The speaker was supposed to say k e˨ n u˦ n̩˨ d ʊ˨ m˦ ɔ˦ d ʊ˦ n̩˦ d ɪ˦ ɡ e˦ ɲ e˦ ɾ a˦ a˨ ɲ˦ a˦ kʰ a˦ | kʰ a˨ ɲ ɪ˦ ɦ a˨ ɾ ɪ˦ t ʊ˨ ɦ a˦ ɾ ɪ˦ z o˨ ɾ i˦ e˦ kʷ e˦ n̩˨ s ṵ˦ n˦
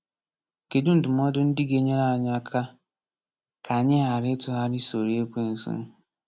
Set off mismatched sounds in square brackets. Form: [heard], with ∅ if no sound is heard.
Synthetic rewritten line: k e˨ [d] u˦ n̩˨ d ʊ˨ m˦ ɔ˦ d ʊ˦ n̩˦ d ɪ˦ ɡ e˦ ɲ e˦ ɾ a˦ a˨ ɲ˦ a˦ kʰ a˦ | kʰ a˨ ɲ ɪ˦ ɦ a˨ ɾ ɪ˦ t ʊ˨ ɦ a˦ ɾ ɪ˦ [s] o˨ ɾ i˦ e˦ kʷ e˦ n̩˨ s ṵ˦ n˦